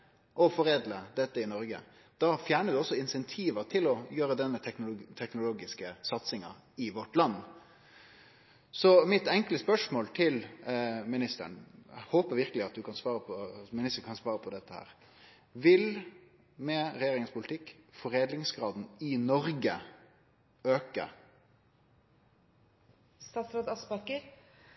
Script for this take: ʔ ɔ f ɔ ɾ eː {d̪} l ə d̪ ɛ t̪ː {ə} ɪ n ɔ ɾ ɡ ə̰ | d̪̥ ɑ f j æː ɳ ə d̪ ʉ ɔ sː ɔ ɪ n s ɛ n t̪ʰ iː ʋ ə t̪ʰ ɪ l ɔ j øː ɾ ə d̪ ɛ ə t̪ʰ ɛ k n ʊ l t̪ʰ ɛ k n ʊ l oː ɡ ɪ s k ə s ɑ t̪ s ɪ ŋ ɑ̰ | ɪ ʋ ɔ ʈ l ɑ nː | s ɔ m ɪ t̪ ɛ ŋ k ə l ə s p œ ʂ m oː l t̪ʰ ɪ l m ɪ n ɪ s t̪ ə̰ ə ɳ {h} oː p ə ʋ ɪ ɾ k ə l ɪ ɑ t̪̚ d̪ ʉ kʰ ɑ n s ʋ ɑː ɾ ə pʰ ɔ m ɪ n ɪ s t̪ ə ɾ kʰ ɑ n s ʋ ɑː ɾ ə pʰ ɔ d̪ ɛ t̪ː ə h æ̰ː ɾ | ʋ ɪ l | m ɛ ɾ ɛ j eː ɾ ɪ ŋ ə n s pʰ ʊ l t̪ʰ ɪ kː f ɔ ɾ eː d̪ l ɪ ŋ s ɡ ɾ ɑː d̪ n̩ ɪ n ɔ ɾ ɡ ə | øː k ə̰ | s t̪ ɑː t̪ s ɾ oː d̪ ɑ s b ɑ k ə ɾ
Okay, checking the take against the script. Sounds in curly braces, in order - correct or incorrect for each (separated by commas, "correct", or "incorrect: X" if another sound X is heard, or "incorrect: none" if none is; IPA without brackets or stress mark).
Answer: correct, correct, correct